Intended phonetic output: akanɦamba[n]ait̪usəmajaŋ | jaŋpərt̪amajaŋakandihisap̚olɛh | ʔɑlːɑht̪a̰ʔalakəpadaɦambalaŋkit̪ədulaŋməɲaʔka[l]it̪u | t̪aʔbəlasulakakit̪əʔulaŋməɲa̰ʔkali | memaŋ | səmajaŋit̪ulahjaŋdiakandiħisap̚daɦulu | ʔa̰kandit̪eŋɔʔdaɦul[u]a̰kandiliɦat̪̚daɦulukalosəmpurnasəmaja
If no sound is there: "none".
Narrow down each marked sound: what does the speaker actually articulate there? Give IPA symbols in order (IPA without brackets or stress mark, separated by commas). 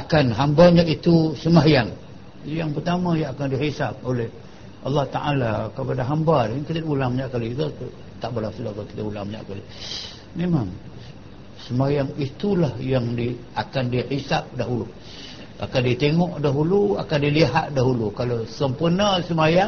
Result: ɲ, l, u